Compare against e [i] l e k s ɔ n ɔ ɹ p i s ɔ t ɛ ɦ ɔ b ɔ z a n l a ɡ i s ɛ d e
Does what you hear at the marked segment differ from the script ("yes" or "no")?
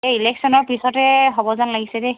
no